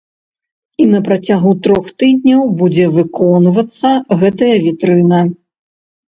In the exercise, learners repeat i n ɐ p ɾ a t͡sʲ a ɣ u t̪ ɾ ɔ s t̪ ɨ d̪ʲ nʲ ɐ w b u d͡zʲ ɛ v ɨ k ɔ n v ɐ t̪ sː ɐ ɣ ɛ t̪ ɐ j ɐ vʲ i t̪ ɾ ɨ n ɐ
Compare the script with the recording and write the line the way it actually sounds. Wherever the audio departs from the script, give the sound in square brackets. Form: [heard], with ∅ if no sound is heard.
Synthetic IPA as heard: i n ɐ p ɾ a t͡sʲ a ɣ u t̪ ɾ ɔ [x] t̪ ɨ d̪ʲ nʲ ɐ w b u d͡zʲ ɛ v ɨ k ɔ n v ɐ t̪ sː ɐ ɣ ɛ t̪ ɐ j ɐ vʲ i t̪ ɾ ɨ n ɐ